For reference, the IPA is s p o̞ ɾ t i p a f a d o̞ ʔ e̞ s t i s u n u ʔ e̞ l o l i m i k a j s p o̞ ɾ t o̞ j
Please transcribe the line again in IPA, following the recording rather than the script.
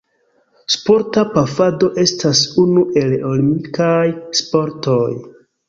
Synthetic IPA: s p o̞ ɾ t a p a f a d o̞ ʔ e̞ s t a s u n u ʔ e̞ l o l i m i k a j s p o̞ ɾ t o̞ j